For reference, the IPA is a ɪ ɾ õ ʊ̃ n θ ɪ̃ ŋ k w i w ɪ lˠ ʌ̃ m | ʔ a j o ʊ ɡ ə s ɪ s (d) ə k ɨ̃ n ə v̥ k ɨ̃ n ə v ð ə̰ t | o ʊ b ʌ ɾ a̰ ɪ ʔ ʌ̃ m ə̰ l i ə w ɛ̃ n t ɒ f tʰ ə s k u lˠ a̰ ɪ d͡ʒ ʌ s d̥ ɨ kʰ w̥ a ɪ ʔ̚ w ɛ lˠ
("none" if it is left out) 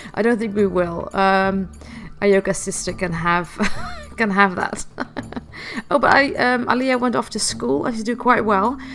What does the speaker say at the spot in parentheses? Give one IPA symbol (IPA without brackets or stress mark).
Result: t